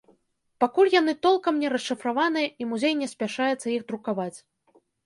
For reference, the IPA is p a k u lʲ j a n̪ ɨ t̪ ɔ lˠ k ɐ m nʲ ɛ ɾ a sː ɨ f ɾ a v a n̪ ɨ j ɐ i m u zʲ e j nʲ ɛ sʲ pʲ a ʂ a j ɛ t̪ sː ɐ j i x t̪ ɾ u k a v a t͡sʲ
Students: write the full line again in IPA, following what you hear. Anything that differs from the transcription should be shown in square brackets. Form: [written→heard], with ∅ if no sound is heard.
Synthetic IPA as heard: p a k u lʲ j a n̪ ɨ t̪ ɔ lˠ k ɐ m nʲ ɛ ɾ [a→ɐ] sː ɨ f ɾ a v a n̪ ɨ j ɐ i m u zʲ e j nʲ ɛ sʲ pʲ a ʂ a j ɛ t̪ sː ɐ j i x [t̪→d̪] ɾ u k a v a t͡sʲ